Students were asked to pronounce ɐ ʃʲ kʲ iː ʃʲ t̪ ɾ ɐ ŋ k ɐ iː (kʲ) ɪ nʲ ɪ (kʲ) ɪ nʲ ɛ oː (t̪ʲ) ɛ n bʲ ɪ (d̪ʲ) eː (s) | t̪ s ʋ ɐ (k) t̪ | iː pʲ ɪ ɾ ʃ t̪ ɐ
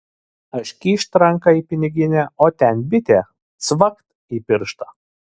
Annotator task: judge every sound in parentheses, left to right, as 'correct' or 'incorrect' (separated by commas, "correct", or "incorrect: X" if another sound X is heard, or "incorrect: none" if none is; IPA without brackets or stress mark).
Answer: incorrect: pʲ, incorrect: ɡʲ, correct, incorrect: t̪ʲ, incorrect: none, correct